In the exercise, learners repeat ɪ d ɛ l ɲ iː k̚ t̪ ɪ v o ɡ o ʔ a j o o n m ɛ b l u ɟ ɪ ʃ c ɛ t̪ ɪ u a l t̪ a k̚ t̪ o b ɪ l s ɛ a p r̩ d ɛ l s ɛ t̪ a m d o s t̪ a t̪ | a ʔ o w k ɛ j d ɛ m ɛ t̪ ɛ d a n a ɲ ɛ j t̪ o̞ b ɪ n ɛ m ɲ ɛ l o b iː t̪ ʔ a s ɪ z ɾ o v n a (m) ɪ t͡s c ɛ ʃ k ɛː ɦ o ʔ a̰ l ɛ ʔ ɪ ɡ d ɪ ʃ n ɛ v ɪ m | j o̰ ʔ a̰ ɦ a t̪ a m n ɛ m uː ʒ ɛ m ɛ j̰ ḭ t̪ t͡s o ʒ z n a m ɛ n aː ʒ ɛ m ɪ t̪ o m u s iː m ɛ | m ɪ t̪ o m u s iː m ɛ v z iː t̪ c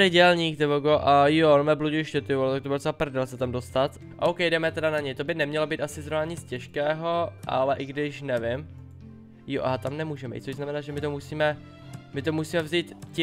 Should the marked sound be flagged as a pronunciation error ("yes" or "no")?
yes